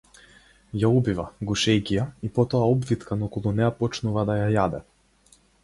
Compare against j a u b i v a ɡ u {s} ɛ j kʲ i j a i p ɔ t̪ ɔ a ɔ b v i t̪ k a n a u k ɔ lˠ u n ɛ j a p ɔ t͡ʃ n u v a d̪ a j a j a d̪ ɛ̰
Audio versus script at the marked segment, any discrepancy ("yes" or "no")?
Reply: yes